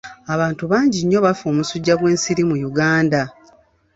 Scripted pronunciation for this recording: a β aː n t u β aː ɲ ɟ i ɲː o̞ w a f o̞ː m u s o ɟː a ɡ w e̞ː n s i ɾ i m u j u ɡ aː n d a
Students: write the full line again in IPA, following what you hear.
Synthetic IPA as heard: a β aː n t u β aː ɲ ɟ i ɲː o̞ β a f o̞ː m u s u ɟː a ɡ w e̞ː n s i ɾ i m u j u ɡ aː n d a